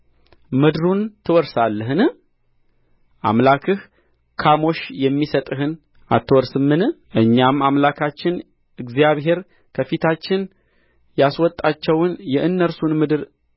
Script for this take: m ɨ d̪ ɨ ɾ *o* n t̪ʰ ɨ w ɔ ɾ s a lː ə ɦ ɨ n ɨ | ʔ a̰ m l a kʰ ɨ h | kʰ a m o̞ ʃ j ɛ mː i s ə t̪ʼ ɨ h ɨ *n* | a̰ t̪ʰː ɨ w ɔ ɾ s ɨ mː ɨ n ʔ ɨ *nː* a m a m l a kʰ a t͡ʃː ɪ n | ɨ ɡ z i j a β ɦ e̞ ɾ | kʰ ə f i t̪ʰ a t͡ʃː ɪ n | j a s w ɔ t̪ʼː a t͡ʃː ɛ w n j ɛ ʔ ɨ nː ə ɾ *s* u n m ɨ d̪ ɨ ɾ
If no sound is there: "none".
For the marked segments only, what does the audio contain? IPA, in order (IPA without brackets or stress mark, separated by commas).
u, n, ɲː, s